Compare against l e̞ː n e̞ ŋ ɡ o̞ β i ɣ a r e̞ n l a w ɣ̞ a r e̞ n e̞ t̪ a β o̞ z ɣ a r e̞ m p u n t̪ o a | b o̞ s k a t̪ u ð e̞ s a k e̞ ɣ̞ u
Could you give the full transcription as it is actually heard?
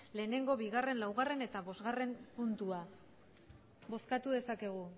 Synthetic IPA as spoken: l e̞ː n e̞ ŋ ɡ o̞ β i ɣ a r e̞ n l a w ɣ̞ a r e̞ n e̞ t̪ a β o̞ z ɣ a r e̞ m p u n t̪ u a | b o̞ s k a t̪ u ð e̞ s a k e̞ ɣ̞ u